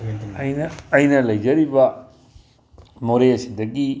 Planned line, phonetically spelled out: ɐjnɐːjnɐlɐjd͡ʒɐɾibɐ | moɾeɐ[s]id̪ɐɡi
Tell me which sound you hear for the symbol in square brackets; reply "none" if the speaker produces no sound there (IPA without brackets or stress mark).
s